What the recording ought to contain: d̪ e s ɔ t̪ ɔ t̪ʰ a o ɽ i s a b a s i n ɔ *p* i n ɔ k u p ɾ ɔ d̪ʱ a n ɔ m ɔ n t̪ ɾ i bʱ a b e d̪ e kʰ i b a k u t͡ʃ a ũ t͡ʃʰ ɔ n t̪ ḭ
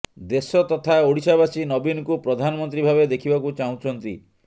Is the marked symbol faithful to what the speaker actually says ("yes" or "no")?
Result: no